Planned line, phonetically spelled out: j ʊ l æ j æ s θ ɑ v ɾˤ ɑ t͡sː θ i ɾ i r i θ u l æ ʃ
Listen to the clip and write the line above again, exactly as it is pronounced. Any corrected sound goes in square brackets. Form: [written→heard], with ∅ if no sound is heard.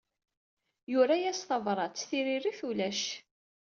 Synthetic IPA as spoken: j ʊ [l→ɾ] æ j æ s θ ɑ v ɾˤ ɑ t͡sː θ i ɾ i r i θ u l æ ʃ